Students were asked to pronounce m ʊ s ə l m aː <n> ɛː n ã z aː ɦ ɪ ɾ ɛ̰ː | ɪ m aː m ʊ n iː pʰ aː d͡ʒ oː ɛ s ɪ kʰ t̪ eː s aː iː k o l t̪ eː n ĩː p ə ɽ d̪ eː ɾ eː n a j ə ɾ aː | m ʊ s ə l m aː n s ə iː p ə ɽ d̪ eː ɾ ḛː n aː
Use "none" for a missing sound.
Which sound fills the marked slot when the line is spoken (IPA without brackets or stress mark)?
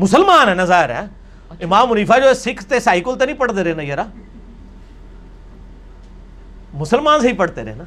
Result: n